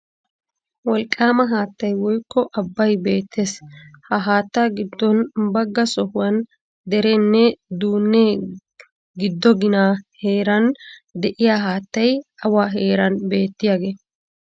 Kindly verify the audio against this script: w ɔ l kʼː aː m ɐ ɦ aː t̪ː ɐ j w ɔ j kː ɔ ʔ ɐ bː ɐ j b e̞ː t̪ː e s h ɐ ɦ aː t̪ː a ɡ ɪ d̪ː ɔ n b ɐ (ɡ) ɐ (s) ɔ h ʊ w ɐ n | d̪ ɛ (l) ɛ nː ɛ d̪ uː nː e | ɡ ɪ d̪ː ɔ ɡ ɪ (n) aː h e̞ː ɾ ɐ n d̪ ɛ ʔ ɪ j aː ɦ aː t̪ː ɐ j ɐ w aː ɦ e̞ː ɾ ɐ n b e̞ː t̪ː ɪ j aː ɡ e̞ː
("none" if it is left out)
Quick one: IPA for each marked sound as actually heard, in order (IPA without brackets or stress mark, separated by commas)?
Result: ɡː, s, ɾ, n